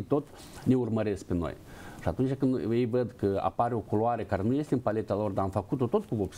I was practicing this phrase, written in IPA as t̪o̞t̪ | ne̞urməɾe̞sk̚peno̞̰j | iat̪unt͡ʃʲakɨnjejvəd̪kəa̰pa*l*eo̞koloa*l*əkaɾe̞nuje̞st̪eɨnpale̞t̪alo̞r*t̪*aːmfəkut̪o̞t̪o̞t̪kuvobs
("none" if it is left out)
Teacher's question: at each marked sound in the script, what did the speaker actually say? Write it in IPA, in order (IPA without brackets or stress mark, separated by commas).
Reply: ɾ, ɾ, d̪